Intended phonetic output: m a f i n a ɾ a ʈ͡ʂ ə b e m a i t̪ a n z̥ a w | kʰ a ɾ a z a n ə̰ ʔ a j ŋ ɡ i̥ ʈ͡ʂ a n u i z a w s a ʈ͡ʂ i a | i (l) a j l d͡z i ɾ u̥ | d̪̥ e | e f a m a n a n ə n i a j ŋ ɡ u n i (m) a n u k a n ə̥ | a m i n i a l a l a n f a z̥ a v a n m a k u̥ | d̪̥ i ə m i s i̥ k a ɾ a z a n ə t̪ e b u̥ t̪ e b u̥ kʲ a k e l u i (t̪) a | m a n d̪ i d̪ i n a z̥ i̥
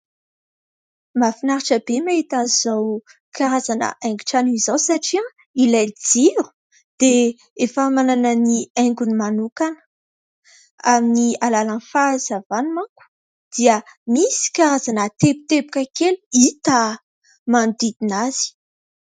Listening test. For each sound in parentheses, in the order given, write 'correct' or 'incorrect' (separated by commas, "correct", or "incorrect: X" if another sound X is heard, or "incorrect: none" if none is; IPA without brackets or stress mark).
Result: correct, correct, correct